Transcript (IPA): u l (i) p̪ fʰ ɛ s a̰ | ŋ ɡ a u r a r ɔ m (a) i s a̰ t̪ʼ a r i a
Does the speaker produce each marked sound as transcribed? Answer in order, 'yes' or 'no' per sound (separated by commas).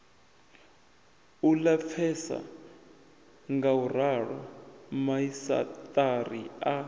no, yes